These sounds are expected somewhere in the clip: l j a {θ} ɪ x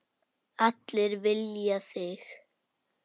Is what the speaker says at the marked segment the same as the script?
yes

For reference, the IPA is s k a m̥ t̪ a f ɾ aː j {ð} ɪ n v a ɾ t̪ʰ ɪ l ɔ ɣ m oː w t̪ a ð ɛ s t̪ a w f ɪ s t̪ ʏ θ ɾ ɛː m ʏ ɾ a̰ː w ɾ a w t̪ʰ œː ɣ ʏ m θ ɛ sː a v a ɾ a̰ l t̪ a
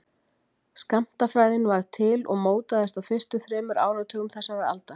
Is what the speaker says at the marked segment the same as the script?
yes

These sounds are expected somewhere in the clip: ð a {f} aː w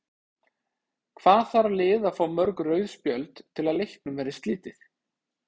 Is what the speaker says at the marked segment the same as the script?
yes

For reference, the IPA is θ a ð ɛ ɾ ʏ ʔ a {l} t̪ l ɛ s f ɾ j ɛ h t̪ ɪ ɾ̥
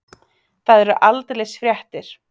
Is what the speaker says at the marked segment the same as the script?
yes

